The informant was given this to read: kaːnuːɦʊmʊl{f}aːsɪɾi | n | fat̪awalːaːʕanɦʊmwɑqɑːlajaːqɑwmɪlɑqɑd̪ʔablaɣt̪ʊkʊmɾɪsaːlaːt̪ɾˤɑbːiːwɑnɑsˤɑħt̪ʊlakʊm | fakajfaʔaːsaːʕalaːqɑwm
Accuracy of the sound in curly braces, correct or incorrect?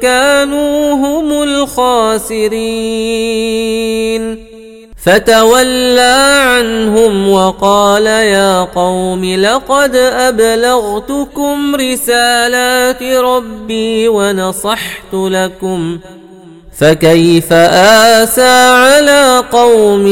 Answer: incorrect